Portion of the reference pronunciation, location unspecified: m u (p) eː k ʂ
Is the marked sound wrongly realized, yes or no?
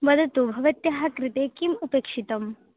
no